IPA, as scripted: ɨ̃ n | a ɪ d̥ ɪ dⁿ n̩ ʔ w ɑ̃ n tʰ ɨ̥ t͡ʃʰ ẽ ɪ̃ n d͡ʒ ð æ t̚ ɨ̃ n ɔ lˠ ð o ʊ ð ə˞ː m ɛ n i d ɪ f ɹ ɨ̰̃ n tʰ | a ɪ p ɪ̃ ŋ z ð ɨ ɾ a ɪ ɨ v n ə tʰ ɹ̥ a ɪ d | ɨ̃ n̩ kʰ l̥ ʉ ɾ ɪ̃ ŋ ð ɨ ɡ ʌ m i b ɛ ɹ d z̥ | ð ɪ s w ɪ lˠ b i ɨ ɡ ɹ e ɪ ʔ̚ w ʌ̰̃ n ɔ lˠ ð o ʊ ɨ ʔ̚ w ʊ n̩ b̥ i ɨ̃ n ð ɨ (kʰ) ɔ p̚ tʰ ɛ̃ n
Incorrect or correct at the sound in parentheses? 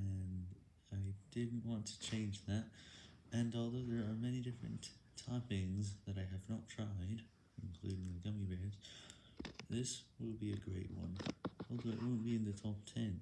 incorrect: tʰ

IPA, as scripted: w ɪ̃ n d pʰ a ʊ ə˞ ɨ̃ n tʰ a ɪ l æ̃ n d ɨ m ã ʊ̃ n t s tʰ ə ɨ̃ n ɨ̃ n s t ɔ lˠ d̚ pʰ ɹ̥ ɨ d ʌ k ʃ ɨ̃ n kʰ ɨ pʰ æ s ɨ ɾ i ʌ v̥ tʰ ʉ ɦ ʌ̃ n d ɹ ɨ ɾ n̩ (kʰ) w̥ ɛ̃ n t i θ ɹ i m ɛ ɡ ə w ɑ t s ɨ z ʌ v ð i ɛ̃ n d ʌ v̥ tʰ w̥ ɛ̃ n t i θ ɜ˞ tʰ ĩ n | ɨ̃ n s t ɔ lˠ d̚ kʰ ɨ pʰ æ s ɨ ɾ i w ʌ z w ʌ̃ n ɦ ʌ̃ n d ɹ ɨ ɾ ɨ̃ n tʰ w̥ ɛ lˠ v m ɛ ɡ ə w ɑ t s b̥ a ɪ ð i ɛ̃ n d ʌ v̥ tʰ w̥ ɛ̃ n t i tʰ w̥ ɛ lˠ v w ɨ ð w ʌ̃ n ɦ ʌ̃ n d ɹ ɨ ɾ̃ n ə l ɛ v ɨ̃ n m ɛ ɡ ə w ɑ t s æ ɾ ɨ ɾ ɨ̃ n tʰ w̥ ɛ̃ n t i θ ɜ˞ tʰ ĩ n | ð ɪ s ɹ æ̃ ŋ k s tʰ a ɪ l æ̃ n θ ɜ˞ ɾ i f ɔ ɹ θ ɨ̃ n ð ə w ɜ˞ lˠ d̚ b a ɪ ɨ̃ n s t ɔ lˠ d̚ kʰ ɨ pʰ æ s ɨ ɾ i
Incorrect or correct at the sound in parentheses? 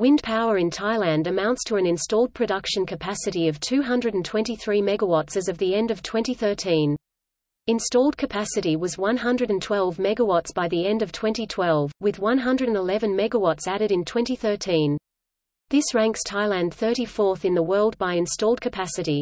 incorrect: tʰ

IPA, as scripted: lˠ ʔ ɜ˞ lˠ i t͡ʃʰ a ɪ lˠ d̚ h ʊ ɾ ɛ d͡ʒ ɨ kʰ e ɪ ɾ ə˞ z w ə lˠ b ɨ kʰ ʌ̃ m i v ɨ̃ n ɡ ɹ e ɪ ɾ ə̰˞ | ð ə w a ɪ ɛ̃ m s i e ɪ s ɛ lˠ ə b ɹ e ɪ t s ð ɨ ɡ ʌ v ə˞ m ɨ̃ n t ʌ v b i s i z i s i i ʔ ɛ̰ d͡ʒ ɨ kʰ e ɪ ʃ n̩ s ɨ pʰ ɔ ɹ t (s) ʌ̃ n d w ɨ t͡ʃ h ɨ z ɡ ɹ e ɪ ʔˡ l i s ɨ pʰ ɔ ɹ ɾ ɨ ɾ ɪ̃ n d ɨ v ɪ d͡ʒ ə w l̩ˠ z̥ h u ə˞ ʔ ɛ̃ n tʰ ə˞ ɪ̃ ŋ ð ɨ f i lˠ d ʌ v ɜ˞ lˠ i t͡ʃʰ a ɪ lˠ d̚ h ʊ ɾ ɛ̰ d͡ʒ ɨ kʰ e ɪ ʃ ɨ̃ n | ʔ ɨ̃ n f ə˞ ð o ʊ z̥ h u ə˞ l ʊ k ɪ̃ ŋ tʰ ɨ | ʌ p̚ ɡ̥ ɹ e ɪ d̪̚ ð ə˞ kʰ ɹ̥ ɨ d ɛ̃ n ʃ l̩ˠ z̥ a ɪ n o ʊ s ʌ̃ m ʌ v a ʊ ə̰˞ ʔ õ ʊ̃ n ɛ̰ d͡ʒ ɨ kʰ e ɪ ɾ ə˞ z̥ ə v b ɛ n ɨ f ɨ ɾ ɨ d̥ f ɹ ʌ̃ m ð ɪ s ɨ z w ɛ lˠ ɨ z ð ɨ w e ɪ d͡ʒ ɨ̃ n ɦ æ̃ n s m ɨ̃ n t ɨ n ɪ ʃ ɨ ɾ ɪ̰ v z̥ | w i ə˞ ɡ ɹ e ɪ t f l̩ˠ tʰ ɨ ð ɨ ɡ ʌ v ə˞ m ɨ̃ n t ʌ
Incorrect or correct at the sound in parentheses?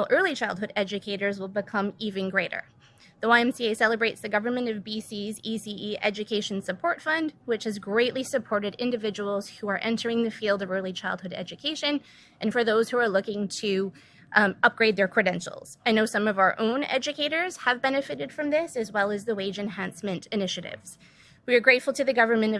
incorrect: f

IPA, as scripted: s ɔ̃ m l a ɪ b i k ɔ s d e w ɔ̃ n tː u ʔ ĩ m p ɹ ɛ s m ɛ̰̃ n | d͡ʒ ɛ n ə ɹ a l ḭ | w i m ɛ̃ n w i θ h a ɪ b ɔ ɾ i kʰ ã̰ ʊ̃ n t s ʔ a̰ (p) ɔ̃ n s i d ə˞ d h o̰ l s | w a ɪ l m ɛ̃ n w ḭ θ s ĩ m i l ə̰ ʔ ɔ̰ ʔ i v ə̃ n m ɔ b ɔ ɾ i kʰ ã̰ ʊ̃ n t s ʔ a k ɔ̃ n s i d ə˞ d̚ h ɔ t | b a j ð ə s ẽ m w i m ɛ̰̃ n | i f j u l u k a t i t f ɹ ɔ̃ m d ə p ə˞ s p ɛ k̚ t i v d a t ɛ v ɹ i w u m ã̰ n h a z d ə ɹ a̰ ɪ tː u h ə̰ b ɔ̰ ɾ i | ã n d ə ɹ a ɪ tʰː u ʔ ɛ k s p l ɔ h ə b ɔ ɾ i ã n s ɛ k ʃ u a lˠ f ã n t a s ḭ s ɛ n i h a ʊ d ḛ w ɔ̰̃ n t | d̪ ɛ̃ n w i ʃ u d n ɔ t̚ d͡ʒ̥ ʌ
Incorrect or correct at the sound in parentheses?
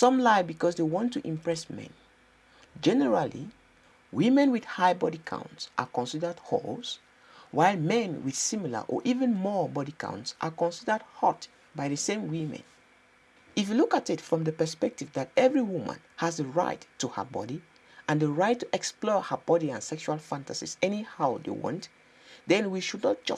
incorrect: k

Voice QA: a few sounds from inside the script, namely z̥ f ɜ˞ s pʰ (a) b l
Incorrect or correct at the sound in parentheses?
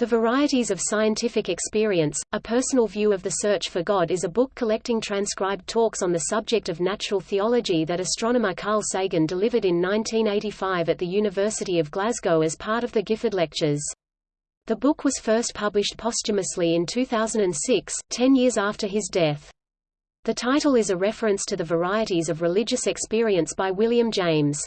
incorrect: ʌ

